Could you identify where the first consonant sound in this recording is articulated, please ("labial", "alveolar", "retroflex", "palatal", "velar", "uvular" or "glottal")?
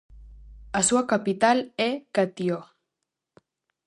alveolar